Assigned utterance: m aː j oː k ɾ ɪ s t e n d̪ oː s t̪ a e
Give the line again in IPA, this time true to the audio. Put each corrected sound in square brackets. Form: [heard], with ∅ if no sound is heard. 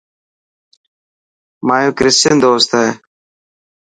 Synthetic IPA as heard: m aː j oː k ɾ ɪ s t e n d̪ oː s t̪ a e